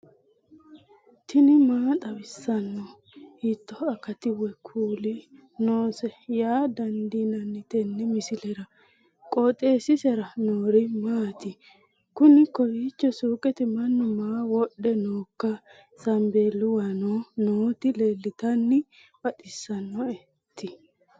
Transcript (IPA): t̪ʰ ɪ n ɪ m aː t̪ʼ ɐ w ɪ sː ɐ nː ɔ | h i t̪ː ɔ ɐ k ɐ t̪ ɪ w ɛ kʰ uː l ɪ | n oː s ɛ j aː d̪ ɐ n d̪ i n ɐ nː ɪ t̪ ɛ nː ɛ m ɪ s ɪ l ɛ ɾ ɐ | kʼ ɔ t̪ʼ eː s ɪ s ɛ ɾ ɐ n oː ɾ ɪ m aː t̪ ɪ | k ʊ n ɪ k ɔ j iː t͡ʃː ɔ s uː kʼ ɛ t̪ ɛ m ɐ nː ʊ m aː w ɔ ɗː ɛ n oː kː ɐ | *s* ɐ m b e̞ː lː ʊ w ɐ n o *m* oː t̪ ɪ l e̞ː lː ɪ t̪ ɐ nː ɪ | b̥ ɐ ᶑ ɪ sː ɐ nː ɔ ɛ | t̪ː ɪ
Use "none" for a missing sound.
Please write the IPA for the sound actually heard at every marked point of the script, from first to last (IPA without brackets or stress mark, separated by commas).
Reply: s, n